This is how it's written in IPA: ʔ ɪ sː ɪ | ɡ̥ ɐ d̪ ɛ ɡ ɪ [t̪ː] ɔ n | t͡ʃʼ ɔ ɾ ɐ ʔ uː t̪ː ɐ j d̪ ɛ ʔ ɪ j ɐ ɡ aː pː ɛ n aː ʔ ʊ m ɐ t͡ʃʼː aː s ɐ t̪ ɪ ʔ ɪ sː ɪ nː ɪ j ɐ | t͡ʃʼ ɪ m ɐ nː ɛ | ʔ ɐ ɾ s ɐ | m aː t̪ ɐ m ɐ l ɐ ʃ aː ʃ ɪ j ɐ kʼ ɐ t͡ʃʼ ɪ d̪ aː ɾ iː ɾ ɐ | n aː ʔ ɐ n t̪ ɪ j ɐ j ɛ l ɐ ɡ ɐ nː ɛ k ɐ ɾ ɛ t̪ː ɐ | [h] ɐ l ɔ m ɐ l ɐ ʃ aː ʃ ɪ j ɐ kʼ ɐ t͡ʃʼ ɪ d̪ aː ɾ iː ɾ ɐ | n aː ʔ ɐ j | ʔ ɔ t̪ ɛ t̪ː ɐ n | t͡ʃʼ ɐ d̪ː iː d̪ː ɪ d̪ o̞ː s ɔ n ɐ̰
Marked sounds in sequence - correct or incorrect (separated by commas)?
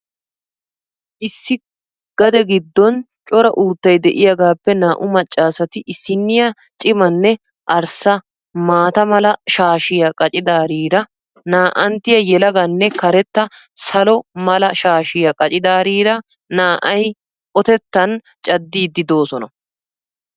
incorrect, incorrect